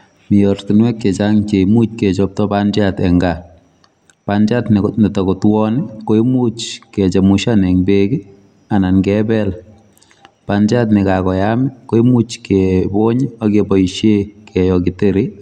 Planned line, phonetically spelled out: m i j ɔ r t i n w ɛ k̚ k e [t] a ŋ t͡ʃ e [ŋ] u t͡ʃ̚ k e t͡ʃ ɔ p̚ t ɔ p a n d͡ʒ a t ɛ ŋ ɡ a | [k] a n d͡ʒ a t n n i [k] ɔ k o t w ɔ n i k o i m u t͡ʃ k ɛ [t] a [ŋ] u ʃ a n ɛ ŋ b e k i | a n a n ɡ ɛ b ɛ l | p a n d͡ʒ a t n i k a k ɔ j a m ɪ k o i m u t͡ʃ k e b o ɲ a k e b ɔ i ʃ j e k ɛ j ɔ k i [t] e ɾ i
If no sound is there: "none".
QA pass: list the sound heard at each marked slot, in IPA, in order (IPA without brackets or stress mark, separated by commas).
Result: t͡ʃ, m, p, t, t͡ʃ, m, t